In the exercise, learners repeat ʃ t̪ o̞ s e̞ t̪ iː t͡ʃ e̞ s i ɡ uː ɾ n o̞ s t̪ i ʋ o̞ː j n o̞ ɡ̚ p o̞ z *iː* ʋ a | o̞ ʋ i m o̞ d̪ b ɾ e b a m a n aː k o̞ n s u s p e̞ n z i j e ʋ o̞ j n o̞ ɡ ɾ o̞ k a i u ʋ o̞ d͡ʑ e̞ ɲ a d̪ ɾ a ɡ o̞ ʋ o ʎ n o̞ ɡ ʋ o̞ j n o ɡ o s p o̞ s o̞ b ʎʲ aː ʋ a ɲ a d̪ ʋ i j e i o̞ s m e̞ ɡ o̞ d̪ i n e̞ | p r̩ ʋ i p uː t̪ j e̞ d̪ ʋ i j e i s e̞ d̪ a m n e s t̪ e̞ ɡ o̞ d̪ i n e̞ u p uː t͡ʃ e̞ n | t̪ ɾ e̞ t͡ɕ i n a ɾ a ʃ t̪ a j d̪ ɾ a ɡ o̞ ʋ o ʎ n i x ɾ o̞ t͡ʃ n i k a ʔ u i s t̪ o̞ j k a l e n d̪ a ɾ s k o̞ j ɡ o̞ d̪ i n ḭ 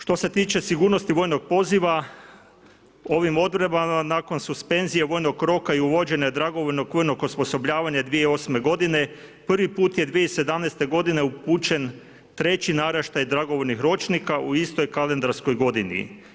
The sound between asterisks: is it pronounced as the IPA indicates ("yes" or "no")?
no